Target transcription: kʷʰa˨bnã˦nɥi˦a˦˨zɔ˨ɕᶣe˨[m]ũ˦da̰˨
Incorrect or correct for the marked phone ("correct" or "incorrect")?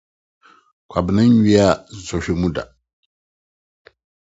correct